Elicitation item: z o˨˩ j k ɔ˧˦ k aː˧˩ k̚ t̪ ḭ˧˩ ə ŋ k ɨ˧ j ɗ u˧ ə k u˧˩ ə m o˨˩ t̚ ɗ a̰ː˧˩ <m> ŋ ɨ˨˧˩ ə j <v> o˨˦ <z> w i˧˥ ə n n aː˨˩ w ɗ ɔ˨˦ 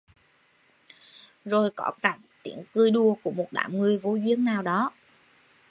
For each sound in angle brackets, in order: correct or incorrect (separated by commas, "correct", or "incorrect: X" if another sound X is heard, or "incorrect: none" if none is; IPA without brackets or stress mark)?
correct, correct, correct